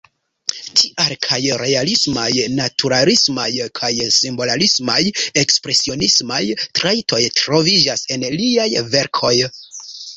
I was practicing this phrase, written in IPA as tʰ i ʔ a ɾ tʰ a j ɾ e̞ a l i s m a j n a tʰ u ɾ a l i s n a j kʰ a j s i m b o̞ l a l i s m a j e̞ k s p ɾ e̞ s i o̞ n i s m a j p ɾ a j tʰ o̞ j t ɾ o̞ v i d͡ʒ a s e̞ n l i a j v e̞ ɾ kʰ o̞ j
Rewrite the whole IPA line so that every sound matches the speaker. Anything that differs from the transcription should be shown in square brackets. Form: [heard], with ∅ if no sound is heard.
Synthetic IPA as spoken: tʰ i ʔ a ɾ [kʰ] a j ɾ e̞ a l i s m a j n a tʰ u ɾ a l i s [m] a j kʰ a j s i m b o̞ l a l i s m a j e̞ k s p ɾ e̞ s i o̞ n i s m a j [t] ɾ a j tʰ o̞ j t ɾ o̞ v i d͡ʒ a s e̞ n l i a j v e̞ ɾ kʰ o̞ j